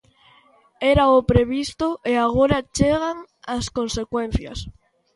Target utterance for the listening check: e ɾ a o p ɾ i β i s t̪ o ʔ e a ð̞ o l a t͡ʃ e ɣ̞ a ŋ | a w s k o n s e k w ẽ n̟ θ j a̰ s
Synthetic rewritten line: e ɾ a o p ɾ e β i s t̪ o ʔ e a ɣ̞ o ɾ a t͡ʃ e ɣ̞ a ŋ | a s k o n s e k w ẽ n̟ θ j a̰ s